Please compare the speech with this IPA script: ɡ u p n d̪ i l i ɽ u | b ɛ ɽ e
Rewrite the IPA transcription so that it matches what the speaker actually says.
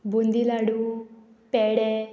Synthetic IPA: b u n d̪ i l a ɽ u | p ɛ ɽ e